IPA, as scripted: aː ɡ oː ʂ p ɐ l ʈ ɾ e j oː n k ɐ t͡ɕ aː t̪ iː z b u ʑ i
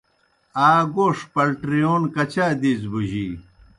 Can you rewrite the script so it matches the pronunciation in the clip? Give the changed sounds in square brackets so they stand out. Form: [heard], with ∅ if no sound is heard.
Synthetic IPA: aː ɡ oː ʂ p ɐ l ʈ ɾ [i] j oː n k ɐ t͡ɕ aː [d̪] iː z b u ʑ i

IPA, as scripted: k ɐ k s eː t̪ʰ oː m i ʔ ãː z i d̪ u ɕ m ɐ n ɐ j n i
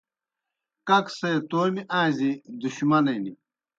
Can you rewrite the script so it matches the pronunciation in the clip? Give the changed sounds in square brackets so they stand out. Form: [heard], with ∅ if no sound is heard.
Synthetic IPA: k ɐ k s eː [t̪] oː m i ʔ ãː z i d̪ u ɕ m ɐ n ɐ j n i

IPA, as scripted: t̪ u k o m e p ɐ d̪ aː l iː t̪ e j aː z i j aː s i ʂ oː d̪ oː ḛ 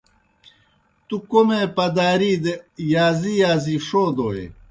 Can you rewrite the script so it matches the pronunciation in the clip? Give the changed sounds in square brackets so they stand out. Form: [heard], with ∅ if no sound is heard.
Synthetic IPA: t̪ u k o m e p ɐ d̪ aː [ɾ] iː [d̪] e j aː z i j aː [z] i ʂ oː d̪ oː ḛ

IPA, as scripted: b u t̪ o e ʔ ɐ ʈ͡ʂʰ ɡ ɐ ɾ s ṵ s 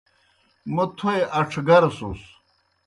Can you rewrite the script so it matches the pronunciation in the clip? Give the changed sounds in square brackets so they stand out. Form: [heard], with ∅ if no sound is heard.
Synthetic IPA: [m] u [t̪ʰ] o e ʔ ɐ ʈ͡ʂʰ ɡ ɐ ɾ s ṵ s

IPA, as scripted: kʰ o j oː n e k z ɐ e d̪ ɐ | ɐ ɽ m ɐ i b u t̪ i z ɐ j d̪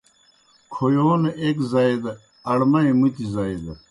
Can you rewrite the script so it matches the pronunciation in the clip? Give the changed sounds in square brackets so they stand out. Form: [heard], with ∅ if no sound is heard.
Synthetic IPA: kʰ o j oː n e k z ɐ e d̪ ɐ | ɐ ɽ m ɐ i [m] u t̪ i z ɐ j d̪

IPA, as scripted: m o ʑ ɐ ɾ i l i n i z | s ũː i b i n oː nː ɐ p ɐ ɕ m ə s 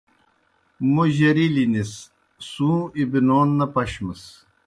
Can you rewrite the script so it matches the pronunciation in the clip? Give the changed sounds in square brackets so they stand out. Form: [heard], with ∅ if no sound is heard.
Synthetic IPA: m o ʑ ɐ ɾ i l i n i [s] | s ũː i b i n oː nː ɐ p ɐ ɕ m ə s

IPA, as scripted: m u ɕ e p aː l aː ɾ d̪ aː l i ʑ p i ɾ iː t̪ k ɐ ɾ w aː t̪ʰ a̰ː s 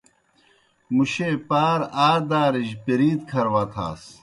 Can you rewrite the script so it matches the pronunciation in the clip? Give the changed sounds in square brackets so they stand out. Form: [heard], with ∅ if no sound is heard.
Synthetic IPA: m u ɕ e p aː [ɾ] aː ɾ d̪ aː [ɾ] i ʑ p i ɾ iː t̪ [kʰ] ɐ ɾ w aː t̪ʰ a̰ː s

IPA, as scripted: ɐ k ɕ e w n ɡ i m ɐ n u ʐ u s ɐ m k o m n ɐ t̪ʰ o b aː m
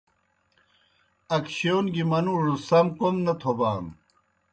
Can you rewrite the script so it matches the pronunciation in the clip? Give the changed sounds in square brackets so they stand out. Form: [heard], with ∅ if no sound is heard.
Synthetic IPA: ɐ k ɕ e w n ɡ i m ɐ n u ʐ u s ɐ m k o m n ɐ t̪ʰ o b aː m

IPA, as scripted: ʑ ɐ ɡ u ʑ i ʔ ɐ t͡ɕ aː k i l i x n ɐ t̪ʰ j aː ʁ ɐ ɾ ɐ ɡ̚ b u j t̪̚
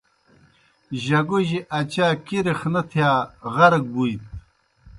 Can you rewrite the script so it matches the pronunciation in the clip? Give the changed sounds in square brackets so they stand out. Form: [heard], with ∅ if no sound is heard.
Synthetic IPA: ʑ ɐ ɡ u ʑ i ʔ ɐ t͡ɕ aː k i [ɾ] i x n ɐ t̪ʰ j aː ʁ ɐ ɾ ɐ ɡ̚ b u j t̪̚

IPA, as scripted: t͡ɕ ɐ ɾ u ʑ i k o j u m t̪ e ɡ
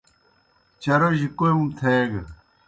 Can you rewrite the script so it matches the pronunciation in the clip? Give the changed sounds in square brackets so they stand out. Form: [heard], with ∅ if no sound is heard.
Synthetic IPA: t͡ɕ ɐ ɾ [o] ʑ i k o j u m [t̪ʰ] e ɡ

